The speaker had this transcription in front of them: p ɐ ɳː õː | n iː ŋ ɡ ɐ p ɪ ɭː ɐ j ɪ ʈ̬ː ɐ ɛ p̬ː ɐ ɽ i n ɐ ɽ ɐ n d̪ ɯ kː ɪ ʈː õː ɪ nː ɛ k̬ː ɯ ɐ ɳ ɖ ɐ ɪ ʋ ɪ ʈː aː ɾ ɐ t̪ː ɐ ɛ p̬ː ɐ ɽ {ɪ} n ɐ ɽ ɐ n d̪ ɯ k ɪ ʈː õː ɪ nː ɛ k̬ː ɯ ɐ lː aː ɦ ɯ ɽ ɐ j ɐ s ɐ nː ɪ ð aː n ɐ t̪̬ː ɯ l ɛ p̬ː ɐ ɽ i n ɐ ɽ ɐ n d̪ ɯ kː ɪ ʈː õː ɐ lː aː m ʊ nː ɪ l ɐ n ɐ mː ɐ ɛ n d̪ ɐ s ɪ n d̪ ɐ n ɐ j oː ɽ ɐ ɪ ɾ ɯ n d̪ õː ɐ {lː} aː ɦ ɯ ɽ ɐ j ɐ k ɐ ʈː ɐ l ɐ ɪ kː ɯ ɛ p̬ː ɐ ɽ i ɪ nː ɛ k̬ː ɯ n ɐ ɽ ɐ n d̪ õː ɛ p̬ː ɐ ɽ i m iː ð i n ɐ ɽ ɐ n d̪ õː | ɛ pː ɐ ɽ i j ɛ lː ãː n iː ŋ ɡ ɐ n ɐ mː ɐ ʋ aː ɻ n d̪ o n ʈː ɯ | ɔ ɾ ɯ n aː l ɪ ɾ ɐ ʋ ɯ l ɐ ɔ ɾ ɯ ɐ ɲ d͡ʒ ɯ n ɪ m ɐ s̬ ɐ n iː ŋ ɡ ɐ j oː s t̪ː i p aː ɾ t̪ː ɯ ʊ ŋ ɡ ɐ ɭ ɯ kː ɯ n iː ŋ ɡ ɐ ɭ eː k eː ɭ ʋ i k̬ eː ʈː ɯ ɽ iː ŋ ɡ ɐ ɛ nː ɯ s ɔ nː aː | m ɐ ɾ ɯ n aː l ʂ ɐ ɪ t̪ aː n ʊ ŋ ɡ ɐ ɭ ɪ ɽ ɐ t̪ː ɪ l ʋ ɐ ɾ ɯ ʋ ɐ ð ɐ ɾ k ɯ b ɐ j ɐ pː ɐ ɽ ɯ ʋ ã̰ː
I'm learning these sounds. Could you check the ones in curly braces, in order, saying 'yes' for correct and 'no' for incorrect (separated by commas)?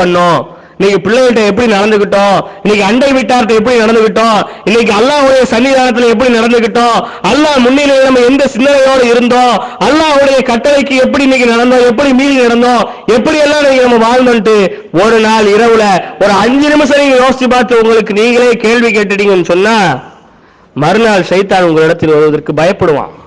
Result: no, yes